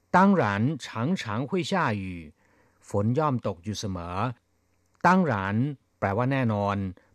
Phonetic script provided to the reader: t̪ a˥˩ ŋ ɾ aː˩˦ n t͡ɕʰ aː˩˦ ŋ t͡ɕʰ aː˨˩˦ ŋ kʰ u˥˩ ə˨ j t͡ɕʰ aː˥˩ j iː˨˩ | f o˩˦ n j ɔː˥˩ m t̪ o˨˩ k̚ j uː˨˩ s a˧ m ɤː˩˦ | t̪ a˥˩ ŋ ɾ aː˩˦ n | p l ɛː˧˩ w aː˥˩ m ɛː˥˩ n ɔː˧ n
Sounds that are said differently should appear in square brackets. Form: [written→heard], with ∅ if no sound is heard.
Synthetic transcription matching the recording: t̪ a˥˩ ŋ ɾ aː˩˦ n t͡ɕʰ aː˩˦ ŋ t͡ɕʰ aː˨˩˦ ŋ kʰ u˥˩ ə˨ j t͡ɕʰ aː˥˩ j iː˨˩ | f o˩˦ n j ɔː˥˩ m t̪ o˨˩ k̚ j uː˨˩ s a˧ m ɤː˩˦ | t̪ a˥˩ ŋ ɾ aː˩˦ n | p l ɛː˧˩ w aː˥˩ [m→n] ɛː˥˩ n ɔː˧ n